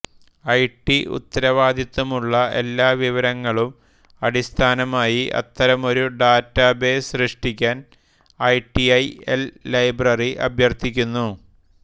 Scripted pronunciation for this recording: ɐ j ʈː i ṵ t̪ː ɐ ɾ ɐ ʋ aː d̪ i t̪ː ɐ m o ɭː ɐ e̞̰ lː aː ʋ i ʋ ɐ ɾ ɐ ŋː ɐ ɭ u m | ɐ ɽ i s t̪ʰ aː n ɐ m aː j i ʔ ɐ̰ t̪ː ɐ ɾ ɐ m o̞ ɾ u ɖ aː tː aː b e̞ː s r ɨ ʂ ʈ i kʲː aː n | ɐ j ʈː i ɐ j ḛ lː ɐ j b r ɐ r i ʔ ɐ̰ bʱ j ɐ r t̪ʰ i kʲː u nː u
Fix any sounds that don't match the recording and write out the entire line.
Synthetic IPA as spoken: ɐ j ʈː i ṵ t̪ː ɐ ɾ ɐ ʋ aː d̪ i t̪ː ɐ m u ɭː ɐ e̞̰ lː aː ʋ i ʋ ɐ ɾ ɐ ŋː ɐ ɭ u m | ɐ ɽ i s t̪ʰ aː n ɐ m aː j i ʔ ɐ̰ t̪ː ɐ ɾ ɐ m o̞ ɾ u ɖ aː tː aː b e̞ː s r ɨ ʂ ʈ i kʲː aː n | ɐ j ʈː i ɐ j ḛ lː ɐ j b r ɐ r i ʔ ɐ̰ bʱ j ɐ r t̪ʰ i kʲː u nː u

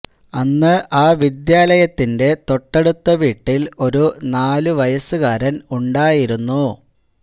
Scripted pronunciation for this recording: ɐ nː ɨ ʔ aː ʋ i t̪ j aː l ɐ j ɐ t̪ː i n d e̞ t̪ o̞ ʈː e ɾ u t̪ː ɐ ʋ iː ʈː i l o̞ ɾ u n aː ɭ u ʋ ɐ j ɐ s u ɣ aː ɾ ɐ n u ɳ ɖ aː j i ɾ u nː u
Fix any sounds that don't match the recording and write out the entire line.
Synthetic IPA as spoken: ɐ nː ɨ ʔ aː ʋ i d̪ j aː l ɐ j ɐ t̪ː i n d e̞ t̪ o̞ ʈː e ɽ u t̪ː ɐ ʋ iː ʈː i l o̞ ɾ u n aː l u ʋ ɐ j ɐ s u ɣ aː ɾ ɐ n u ɳ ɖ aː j i ɾ u nː u

